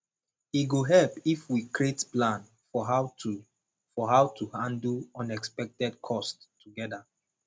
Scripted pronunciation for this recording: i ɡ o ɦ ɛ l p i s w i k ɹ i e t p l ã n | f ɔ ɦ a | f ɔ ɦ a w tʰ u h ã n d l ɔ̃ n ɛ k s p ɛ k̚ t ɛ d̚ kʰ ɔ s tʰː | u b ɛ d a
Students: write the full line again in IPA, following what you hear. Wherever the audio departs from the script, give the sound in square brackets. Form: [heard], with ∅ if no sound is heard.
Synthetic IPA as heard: i ɡ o ɦ ɛ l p i [f] w i k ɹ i e t p l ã n | f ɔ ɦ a | f ɔ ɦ a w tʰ u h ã n d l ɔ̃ n ɛ k s p ɛ k̚ t ɛ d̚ kʰ ɔ s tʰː | u [ɡ] ɛ d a